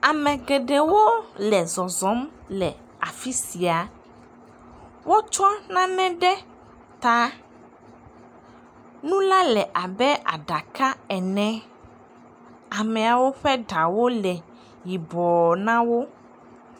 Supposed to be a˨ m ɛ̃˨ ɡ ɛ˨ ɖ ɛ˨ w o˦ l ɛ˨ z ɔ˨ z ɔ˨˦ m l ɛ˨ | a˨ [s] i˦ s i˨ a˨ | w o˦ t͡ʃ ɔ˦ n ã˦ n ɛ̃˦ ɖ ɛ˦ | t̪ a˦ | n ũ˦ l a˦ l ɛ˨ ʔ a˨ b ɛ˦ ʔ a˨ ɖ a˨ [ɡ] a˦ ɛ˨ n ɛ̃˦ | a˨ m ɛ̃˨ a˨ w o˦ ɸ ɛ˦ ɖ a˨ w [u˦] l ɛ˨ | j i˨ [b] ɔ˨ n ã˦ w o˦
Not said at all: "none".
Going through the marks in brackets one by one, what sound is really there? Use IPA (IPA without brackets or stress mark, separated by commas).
f, k, o˦, b